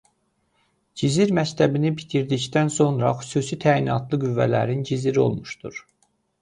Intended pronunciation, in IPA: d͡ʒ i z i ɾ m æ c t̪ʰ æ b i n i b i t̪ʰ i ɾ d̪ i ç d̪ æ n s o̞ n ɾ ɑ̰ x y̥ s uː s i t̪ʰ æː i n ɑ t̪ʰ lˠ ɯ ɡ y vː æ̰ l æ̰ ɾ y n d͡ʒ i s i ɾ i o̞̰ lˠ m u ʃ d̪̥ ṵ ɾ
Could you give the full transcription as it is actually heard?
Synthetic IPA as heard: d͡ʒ i z i ɾ m æ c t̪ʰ æ b i n i b i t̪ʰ i ɾ d̪ i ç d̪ æ n s o̞ n ɾ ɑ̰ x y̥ s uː s i t̪ʰ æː i n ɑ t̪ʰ lˠ ɯ ɡ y vː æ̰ l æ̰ ɾ i n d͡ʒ i z i ɾ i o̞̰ lˠ m u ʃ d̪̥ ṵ ɾ